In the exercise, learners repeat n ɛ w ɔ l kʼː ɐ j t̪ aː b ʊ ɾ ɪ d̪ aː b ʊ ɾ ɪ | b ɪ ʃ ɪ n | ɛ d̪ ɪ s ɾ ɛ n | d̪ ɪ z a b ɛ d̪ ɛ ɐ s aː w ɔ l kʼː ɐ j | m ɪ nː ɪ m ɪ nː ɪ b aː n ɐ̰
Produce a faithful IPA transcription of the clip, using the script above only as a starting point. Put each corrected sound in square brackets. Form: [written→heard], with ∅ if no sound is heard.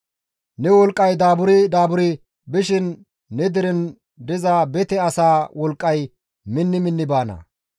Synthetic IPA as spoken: n ɛ w ɔ l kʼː ɐ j [t̪→d̪] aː b ʊ ɾ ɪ d̪ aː b ʊ ɾ ɪ | b ɪ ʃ ɪ [n→nː] | ɛ d̪ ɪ [s→∅] ɾ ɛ n | d̪ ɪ z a b ɛ [d̪→t̪] ɛ ɐ s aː w ɔ l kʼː ɐ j | m ɪ nː ɪ m ɪ nː ɪ b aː n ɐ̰

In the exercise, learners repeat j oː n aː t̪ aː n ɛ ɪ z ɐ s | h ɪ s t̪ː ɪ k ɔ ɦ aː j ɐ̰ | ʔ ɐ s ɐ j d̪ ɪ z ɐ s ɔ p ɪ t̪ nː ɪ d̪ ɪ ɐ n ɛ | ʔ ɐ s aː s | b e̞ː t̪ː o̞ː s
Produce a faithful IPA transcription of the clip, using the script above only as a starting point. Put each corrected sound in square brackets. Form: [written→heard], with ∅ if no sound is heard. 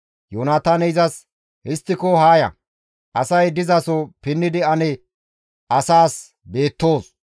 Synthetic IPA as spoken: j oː n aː t̪ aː n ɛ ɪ z ɐ s | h ɪ s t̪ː ɪ k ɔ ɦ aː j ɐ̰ | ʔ ɐ s ɐ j d̪ ɪ z ɐ s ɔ p ɪ [t̪→∅] nː ɪ d̪ ɪ ɐ n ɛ | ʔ ɐ s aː s | b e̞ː t̪ː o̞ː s

